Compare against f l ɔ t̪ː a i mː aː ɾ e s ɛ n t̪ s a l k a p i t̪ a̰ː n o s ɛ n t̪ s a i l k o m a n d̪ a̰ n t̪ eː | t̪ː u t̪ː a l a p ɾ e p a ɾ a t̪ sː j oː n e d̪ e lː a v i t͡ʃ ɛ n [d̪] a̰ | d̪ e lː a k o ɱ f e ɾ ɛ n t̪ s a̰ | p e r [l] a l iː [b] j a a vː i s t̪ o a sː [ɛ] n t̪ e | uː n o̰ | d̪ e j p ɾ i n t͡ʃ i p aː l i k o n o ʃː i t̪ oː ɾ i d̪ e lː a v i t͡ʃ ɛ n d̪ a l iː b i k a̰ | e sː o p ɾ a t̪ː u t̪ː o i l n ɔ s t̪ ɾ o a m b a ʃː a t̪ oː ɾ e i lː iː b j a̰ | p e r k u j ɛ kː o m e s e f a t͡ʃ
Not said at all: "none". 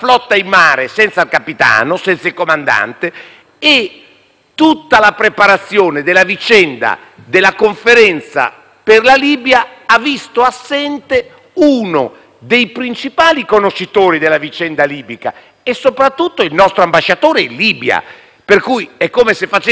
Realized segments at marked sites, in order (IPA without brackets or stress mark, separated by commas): d̪, l, b, ɛ